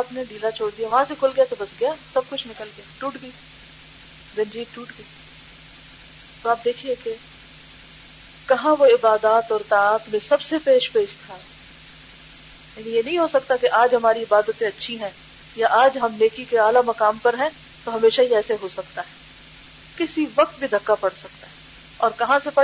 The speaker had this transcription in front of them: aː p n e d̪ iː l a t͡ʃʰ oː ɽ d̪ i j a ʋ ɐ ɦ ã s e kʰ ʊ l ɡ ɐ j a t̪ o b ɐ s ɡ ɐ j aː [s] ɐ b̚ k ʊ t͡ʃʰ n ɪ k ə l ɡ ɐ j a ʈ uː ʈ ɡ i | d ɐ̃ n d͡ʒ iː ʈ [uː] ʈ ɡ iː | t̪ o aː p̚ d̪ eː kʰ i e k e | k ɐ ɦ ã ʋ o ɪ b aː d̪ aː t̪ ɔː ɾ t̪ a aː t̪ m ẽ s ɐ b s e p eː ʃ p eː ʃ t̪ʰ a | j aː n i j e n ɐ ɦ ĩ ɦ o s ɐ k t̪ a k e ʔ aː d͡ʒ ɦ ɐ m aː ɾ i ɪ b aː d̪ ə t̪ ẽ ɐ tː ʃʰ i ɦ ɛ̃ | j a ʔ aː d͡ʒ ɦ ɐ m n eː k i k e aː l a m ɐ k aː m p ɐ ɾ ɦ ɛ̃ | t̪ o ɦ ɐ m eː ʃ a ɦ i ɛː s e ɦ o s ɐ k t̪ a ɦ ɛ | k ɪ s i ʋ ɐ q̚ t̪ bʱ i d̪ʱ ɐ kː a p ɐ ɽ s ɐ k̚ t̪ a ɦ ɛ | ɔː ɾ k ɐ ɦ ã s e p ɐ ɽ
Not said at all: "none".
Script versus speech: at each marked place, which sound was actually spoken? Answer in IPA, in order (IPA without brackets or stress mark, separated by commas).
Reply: s, uː